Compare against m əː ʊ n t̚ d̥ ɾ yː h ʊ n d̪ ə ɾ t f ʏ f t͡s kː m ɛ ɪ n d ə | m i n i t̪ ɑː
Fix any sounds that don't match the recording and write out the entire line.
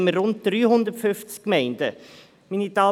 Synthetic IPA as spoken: m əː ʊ n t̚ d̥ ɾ yː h ʊ n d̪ ə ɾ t f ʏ f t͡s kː m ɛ ɪ n d ə | m i n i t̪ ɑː